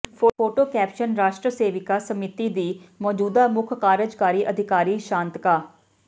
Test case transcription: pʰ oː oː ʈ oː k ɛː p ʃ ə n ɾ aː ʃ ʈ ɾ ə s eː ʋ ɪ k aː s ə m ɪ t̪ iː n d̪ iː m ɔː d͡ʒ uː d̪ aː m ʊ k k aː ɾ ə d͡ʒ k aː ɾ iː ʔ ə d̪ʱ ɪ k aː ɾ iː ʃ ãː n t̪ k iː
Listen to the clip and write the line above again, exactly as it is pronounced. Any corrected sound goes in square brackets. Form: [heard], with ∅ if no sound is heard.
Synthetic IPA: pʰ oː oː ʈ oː k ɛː p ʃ ə n ɾ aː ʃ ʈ ɾ ə s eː ʋ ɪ k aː s ə m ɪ t̪ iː [∅] d̪ iː m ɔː d͡ʒ uː d̪ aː m ʊ [kʰ] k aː ɾ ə d͡ʒ k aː ɾ iː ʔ ə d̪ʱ ɪ k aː ɾ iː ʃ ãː n t̪ k [aː]